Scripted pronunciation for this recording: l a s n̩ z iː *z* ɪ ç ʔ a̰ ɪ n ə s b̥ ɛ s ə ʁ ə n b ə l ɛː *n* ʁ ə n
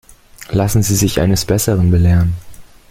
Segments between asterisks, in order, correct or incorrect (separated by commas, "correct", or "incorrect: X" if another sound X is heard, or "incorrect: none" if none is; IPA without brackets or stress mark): correct, incorrect: none